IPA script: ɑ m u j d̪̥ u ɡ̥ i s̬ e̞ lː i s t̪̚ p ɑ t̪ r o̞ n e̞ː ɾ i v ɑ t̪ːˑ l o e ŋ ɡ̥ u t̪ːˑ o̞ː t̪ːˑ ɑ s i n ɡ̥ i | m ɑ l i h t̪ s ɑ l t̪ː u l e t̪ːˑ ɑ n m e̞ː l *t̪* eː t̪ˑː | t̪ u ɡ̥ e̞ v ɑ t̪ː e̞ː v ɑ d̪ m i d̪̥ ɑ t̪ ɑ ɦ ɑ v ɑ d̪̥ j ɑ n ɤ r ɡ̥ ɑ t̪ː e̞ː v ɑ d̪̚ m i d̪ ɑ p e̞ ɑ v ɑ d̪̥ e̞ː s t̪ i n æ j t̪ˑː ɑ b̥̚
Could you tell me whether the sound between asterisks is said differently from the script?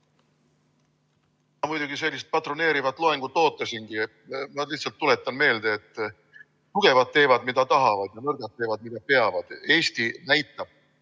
yes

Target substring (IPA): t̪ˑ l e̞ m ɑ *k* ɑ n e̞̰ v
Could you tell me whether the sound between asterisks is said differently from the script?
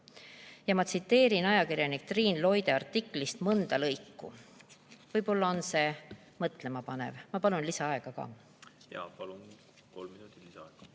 yes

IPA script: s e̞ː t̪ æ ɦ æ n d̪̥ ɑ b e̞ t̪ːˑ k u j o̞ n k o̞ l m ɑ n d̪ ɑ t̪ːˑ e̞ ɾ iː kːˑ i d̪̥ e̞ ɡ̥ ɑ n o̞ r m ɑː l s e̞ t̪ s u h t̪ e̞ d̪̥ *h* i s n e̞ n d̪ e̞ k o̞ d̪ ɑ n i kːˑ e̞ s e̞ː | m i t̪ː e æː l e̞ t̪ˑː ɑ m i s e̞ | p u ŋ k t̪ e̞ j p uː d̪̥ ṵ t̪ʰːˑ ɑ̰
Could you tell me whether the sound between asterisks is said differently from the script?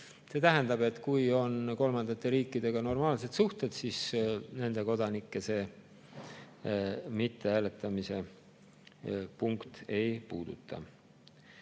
yes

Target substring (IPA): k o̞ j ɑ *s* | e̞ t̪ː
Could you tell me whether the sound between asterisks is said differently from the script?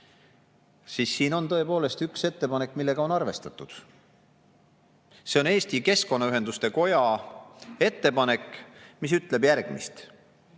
yes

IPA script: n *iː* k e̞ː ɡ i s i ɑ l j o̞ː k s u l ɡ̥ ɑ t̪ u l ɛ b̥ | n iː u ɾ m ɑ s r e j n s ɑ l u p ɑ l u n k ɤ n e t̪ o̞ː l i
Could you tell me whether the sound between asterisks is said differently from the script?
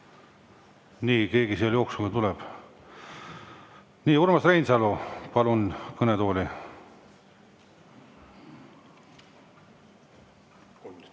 no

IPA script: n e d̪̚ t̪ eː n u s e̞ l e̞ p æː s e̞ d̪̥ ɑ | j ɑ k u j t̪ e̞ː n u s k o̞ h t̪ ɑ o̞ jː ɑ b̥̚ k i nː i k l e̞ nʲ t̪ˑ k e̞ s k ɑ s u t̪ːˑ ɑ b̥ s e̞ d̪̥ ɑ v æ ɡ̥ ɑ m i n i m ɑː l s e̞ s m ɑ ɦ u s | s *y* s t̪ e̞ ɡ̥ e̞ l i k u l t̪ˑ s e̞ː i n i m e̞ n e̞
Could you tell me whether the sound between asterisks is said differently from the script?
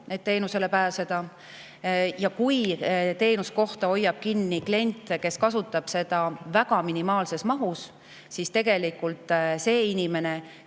yes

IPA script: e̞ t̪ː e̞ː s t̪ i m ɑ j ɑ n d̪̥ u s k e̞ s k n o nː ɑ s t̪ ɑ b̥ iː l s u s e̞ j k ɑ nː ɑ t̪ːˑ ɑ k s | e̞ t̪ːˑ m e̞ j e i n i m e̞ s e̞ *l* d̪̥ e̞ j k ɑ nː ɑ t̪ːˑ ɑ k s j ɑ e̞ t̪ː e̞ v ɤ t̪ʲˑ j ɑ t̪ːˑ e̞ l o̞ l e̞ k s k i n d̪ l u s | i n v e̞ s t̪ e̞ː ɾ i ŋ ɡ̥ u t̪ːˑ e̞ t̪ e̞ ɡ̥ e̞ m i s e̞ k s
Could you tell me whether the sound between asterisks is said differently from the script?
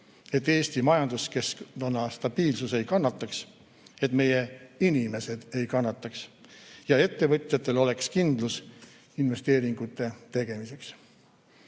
yes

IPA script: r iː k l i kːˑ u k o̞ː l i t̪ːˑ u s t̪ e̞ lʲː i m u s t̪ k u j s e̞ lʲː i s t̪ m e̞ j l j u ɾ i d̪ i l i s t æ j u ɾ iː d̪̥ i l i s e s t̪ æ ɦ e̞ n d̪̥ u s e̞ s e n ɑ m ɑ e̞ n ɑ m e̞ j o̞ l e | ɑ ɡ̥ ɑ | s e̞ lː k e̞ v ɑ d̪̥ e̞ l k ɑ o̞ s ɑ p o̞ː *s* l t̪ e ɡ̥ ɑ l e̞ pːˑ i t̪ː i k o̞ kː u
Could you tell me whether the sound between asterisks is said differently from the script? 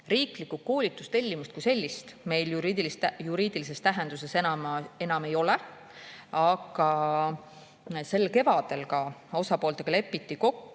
yes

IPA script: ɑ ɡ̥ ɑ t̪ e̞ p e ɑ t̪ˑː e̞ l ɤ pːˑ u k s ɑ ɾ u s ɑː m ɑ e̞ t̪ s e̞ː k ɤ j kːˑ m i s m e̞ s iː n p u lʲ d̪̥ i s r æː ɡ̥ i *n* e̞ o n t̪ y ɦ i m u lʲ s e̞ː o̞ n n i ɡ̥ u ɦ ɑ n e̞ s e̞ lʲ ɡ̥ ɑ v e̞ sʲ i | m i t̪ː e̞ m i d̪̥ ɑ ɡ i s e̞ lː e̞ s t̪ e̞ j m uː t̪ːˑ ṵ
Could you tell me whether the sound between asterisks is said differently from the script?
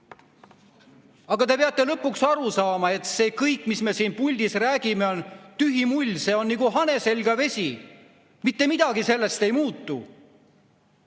yes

